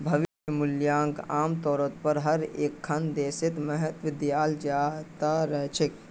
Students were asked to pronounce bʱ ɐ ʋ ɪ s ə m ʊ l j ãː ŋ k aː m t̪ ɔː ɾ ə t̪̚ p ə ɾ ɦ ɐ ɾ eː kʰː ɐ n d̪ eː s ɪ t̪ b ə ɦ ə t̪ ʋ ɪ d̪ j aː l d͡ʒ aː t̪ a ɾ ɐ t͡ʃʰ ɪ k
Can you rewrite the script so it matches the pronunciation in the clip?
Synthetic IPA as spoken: bʱ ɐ ʋ ɪ ʃ ə m ʊ l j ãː ŋ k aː m t̪ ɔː ɾ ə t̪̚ p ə ɾ ɦ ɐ ɾ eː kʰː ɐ n d̪ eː s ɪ t̪ m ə ɦ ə t̪ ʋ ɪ d̪ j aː l d͡ʒ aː t̪ a ɾ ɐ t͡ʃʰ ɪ k